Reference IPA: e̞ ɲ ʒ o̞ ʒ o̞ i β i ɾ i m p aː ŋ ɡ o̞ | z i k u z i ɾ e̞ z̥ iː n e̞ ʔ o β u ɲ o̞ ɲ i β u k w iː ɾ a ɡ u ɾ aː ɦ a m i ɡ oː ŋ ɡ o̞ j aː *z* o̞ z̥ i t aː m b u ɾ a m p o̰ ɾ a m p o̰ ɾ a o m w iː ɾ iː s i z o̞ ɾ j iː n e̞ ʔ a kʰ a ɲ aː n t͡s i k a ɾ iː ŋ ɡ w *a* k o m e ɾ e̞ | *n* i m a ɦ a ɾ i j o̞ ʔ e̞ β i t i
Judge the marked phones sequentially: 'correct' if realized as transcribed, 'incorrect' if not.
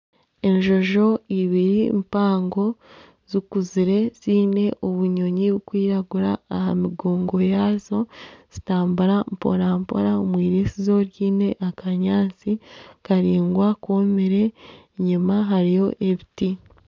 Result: correct, correct, incorrect

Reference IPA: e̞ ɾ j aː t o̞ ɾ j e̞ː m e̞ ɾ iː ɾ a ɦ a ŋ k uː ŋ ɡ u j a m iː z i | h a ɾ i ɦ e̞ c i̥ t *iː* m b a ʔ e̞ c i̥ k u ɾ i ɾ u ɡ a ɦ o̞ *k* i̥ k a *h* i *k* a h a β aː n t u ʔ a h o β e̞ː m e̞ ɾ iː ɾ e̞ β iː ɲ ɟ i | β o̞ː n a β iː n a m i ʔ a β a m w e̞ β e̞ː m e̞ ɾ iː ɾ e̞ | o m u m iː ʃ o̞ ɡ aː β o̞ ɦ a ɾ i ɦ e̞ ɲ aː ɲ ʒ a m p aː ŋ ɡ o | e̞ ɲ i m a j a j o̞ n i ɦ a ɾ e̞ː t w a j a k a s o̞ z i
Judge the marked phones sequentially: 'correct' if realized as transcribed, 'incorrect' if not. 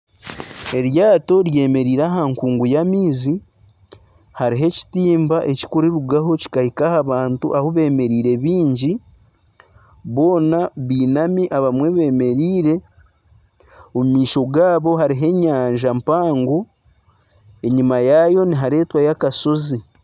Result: correct, incorrect, correct, correct

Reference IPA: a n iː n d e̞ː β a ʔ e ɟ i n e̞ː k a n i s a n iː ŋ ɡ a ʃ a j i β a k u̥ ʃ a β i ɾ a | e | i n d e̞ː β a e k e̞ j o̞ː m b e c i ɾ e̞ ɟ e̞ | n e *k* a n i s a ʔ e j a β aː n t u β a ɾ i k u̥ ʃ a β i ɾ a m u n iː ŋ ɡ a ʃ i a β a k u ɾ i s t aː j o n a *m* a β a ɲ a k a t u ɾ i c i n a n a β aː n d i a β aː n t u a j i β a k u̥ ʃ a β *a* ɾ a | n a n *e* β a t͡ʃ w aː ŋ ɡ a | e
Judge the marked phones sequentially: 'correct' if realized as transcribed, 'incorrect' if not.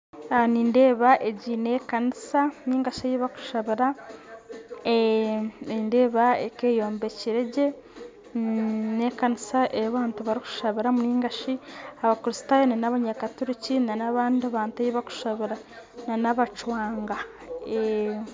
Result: correct, incorrect, incorrect, incorrect

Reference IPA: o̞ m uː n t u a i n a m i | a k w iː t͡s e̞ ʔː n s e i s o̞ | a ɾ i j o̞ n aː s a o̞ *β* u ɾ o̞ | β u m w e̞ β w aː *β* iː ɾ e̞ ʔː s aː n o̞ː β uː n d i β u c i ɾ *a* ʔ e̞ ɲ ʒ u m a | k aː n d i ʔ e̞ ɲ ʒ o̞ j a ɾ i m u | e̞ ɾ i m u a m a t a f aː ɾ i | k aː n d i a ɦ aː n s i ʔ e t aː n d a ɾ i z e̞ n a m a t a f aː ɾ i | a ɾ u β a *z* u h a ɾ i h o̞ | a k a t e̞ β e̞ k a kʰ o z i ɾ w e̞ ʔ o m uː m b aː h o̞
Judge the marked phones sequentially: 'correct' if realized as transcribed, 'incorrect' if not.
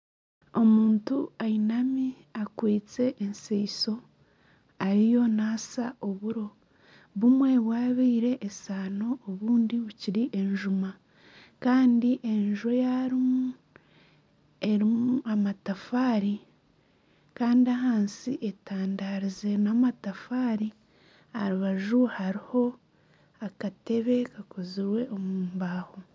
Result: correct, correct, incorrect, incorrect

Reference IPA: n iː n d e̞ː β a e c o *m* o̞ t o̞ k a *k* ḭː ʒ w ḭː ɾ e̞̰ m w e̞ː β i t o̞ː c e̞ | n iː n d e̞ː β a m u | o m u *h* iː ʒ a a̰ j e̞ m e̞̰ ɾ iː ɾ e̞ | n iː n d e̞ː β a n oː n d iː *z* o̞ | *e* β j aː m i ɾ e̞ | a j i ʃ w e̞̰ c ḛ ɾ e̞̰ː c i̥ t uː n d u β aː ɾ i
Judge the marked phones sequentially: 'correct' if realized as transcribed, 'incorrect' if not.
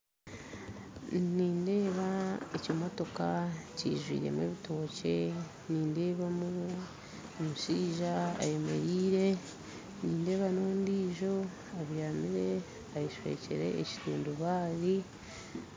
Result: correct, incorrect, incorrect, incorrect, incorrect

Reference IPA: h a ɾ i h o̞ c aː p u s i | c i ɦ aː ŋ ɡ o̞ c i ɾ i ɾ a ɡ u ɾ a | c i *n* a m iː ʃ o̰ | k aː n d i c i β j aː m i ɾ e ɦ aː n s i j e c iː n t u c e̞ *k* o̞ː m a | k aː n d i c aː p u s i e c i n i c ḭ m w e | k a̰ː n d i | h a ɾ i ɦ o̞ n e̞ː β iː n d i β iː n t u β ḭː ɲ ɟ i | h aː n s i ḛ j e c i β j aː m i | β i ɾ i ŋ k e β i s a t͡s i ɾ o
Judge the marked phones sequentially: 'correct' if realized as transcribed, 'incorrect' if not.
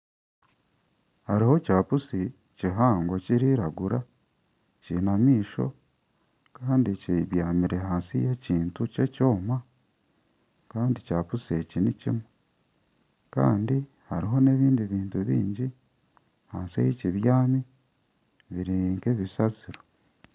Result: correct, incorrect

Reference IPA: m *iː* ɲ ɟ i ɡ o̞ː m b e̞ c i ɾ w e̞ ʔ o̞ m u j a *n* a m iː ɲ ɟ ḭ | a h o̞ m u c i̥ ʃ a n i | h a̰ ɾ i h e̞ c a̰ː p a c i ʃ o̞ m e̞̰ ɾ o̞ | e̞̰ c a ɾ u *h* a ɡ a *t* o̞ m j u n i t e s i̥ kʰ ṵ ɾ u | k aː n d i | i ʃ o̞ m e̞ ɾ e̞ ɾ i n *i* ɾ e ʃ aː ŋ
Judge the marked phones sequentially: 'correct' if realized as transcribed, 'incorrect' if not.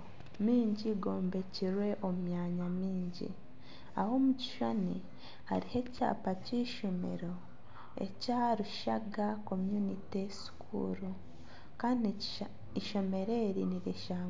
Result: correct, incorrect, incorrect, incorrect, correct

